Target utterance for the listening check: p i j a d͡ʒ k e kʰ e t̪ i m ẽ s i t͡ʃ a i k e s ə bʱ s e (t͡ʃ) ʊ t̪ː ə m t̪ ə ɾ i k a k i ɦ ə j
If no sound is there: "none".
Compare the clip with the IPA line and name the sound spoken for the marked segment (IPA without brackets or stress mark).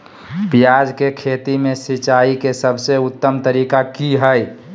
none